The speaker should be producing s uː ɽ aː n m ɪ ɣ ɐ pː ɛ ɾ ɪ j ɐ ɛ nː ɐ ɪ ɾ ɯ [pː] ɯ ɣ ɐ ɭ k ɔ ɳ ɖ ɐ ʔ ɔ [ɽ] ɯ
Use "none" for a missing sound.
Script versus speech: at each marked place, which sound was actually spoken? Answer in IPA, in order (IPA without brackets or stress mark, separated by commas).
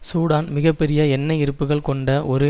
pː, ɾ